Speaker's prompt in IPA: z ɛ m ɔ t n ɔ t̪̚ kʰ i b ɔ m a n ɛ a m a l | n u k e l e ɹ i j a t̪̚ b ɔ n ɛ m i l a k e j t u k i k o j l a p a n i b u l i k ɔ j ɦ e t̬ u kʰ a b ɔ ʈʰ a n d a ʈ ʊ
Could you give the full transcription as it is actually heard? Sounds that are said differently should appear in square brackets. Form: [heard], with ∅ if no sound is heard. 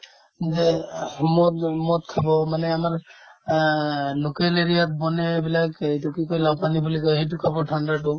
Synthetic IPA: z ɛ m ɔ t [m] ɔ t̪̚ kʰ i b ɔ m a n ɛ a m a [ɹ] | n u k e l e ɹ i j a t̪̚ b ɔ n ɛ [b] i l a k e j t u k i k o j l a p a n i b u l i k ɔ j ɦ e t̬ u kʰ a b ɔ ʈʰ a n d a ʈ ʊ